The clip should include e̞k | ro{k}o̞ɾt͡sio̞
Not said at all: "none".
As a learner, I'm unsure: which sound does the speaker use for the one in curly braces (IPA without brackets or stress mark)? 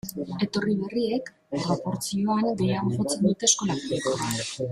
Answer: p